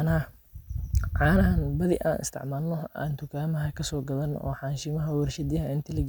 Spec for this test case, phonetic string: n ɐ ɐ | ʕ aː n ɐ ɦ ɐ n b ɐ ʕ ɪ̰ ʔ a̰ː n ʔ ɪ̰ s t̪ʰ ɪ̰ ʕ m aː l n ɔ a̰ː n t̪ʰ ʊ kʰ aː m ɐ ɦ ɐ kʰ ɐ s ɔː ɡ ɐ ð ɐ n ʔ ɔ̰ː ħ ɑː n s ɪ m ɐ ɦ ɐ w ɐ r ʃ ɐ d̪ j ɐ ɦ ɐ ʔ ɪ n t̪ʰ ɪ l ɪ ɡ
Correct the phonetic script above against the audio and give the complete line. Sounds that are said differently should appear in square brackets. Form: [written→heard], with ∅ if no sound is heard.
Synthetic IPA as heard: n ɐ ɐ | ʕ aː n ɐ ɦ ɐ n b ɐ [ʕ→ð] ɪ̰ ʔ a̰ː n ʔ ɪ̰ s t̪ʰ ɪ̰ ʕ m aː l n ɔ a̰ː n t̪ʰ ʊ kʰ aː m ɐ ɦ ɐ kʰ ɐ s ɔː ɡ ɐ ð ɐ n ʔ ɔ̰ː ħ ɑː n [s→ʃ] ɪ m ɐ ɦ ɐ w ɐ r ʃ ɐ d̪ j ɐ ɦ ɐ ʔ ɪ n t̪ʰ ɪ l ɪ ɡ